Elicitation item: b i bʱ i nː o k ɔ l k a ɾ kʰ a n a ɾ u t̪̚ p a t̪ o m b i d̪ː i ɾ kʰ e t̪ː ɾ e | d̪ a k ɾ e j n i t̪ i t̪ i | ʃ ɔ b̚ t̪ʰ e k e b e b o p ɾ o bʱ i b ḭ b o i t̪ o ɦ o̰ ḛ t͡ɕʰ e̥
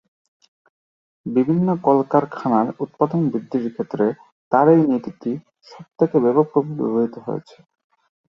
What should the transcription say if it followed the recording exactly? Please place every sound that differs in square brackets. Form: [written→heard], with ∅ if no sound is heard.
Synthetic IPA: b i bʱ i nː o k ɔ l k a ɾ kʰ a n a ɾ u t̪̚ p a [t̪→d̪] o [m→n] b i d̪ː i ɾ kʰ e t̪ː ɾ e | [d̪→t̪] a [k→∅] ɾ e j n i t̪ i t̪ i | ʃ ɔ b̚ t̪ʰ e k e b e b o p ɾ o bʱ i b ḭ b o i t̪ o ɦ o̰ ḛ t͡ɕʰ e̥